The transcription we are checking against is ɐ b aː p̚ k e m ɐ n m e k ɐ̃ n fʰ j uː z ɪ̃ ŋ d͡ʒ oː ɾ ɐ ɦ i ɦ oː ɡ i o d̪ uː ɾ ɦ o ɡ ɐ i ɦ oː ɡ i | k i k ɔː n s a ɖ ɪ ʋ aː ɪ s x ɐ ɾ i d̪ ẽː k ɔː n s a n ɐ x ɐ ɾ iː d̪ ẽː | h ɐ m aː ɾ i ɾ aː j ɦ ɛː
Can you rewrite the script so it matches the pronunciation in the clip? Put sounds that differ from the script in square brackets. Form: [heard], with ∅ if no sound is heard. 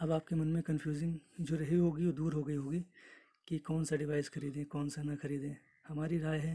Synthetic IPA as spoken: ɐ b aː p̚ k e m ɐ n m [ẽ] k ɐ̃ n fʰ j uː z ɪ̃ ŋ d͡ʒ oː ɾ ɐ ɦ i ɦ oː ɡ i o d̪ uː ɾ ɦ o ɡ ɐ i ɦ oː ɡ i | k i k ɔː n s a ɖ ɪ ʋ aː ɪ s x ɐ ɾ [iː] d̪ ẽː k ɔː n s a n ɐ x ɐ ɾ iː d̪ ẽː | h ɐ m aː ɾ i ɾ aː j ɦ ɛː